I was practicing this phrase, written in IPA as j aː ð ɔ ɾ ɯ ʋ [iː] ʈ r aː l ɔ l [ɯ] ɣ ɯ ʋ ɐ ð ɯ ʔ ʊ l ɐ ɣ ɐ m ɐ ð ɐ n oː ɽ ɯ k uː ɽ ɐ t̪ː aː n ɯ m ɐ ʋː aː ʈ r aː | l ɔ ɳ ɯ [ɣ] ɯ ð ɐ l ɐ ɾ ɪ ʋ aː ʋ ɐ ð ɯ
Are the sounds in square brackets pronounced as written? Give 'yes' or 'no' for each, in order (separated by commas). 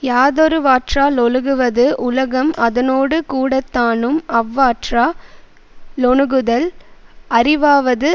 no, yes, yes